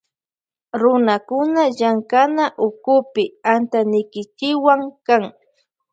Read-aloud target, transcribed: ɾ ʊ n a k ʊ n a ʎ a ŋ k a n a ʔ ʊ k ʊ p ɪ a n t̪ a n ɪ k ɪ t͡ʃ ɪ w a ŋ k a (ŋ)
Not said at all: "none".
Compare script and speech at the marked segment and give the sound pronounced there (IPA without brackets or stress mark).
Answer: ŋ